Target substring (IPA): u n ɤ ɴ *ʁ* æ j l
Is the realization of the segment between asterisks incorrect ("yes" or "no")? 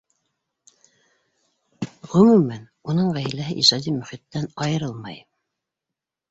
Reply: no